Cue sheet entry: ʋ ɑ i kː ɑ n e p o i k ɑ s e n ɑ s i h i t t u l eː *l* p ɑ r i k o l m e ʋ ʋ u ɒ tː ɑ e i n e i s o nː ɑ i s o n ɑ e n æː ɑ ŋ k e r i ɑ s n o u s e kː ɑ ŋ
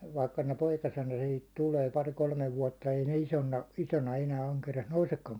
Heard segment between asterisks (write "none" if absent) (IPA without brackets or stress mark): none